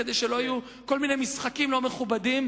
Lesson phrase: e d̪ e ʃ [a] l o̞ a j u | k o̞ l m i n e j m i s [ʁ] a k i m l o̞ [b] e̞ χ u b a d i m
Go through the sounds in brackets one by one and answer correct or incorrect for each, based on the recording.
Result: incorrect, incorrect, incorrect

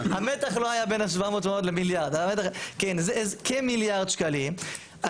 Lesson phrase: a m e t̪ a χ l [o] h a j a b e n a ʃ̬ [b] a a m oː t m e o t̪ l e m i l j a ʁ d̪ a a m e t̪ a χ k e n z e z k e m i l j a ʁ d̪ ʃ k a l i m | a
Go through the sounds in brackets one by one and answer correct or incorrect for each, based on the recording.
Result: correct, incorrect

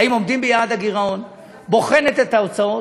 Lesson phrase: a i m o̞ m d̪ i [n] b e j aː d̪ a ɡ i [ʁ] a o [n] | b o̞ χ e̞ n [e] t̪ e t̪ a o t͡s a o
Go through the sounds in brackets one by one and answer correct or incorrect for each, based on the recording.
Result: incorrect, correct, correct, correct

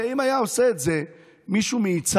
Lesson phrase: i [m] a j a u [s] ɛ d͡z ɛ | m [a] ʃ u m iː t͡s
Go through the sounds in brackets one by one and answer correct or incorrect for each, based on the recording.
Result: correct, correct, incorrect

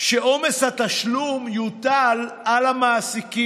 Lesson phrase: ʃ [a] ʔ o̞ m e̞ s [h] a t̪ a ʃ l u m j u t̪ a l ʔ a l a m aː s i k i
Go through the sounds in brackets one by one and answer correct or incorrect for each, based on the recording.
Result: incorrect, correct

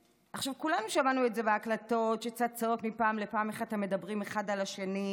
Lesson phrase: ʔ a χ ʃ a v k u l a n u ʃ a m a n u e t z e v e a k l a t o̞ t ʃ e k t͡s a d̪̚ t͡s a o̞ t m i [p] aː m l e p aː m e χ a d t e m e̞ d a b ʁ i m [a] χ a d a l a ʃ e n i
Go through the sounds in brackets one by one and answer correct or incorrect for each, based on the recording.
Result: correct, incorrect

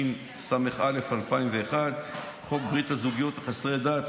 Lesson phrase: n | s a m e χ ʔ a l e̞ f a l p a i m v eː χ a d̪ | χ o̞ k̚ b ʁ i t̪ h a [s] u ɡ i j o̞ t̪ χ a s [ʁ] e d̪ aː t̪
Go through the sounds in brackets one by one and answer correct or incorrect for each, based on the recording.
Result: incorrect, correct

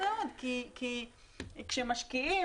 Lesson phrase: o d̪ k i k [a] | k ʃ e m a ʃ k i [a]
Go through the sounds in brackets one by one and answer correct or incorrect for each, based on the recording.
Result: incorrect, incorrect

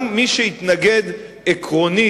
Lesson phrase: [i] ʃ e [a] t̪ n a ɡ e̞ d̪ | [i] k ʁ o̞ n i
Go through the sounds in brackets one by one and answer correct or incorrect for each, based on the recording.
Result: correct, incorrect, incorrect

